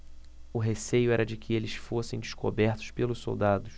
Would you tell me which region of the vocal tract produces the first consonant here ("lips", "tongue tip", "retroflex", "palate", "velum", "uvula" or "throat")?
throat